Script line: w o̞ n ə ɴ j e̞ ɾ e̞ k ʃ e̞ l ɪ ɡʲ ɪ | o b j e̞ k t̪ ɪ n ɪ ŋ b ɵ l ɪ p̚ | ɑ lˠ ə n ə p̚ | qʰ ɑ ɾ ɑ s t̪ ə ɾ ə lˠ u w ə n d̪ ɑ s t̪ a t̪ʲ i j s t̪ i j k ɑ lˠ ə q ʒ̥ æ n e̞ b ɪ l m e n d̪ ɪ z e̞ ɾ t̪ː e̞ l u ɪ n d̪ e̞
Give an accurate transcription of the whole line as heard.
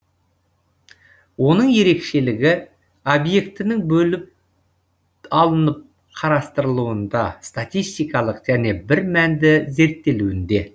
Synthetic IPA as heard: w o̞ n ə ɴ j e̞ ɾ e̞ k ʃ e̞ l ɪ ɡʲ ɪ | o b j e̞ k t̪ ɪ n ɪ ŋ b ɵ l ɪ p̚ | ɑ lˠ ə n ə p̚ | qʰ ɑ ɾ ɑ s t̪ ə ɾ ə lˠ u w ə n d̪ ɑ s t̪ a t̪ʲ i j s t̪ i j k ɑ lˠ ə q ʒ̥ æ n e̞ b ɪ ɾ m æ n d̪ ɪ z e̞ ɾ t̪ː e̞ l u ɪ n d̪ e̞